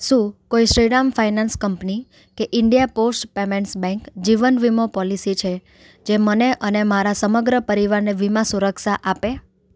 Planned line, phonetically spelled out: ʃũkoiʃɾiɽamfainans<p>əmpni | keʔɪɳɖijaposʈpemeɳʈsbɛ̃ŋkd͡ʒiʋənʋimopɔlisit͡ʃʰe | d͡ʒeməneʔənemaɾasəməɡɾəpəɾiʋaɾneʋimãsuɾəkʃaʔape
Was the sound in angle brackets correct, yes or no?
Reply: no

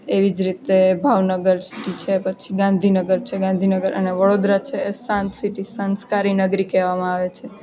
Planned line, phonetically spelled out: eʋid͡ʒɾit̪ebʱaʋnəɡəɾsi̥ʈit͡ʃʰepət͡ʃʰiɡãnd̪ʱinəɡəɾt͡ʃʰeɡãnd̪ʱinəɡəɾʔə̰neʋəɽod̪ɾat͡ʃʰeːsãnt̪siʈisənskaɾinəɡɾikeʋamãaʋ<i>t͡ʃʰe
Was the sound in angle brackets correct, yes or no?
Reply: no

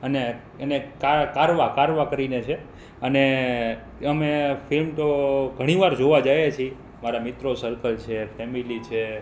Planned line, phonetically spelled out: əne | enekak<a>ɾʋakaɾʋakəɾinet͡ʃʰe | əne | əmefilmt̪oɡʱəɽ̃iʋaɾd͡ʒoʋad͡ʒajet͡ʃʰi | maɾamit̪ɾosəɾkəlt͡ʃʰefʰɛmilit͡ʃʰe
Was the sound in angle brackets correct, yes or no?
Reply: yes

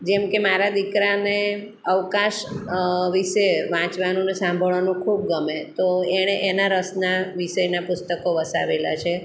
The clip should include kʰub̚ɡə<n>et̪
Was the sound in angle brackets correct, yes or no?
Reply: no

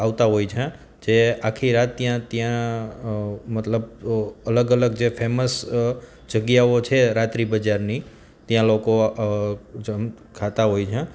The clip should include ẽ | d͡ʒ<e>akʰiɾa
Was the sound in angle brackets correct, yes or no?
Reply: yes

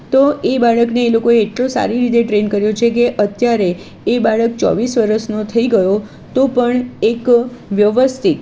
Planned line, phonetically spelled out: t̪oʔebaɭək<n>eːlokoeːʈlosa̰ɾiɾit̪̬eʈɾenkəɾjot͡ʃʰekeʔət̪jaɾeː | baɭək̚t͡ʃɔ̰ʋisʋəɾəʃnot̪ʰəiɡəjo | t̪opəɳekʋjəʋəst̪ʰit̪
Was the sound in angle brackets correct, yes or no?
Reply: yes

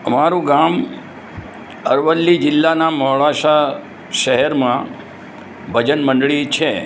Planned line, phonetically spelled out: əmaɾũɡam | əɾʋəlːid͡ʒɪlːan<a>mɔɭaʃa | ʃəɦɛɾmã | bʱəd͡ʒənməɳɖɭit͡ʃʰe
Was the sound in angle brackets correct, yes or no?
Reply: yes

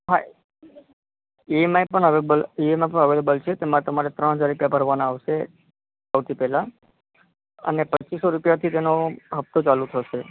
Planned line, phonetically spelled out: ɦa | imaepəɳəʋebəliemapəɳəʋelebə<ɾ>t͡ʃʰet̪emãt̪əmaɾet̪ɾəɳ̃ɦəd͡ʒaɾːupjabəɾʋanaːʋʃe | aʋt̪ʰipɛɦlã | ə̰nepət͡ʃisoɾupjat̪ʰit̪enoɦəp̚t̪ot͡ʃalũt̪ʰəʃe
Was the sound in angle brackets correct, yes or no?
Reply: no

